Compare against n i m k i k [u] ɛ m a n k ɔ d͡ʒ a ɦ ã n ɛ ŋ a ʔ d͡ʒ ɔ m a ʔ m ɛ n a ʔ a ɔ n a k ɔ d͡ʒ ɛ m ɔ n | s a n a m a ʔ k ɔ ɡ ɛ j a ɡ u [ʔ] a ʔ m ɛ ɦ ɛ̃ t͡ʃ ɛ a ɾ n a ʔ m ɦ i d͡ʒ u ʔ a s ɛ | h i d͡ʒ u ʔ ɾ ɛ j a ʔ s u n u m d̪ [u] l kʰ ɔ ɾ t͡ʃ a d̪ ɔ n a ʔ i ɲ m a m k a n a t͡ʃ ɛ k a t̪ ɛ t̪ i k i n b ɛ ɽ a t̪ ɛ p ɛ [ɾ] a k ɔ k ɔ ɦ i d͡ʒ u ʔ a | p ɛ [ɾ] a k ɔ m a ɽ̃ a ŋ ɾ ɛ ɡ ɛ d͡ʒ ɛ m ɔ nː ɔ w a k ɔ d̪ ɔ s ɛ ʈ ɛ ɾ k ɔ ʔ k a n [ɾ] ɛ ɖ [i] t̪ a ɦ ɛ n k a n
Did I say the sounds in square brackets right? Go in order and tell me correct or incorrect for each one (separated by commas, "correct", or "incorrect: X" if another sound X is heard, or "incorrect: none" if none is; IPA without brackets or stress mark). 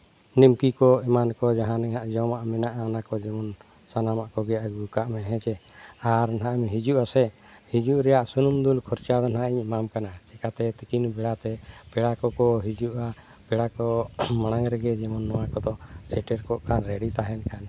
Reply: incorrect: ɔ, incorrect: k, correct, incorrect: ɽ, incorrect: ɽ, correct, correct